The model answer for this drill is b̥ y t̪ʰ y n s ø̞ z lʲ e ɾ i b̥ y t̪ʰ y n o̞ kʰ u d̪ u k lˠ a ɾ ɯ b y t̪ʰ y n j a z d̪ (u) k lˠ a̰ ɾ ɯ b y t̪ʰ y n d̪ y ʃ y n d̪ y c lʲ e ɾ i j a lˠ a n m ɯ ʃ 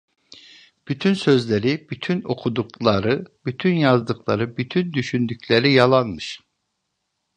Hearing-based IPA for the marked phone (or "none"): ɯ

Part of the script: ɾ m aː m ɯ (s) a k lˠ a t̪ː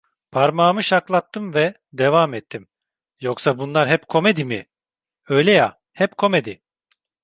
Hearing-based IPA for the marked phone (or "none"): ʃ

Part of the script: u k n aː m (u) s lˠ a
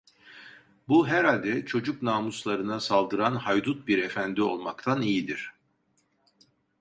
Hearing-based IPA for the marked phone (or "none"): u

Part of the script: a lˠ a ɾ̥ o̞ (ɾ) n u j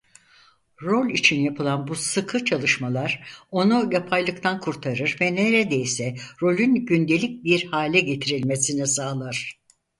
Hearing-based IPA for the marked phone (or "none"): none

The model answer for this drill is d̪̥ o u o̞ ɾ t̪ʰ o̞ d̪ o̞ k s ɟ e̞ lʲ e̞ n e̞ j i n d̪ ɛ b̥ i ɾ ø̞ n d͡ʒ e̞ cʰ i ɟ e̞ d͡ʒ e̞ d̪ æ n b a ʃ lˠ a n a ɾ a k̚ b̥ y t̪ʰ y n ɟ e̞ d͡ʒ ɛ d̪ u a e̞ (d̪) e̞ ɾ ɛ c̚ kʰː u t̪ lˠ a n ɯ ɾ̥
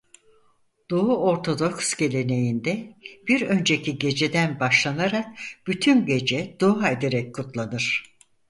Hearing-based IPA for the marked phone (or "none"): d̪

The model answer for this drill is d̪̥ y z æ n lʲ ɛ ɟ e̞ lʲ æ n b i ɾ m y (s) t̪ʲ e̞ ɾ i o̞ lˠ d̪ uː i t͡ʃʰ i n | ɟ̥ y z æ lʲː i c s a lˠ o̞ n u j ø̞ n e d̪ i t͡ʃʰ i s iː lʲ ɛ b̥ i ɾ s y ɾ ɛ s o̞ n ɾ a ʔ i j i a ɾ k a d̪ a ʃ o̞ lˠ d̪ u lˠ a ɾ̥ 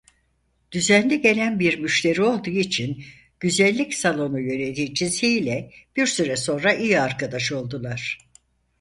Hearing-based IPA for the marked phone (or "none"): ʃ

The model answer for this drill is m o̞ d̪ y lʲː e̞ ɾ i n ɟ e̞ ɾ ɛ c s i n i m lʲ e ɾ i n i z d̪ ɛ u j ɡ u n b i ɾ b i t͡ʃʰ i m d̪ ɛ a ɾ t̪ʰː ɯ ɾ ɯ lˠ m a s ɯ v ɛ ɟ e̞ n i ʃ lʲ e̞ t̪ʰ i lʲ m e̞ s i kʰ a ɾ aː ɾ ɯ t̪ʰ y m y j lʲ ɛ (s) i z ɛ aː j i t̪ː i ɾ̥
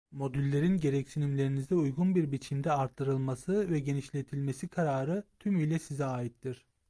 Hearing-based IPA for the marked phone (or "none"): s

